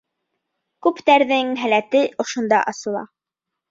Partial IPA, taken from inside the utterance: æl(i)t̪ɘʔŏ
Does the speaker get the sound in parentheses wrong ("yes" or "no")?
yes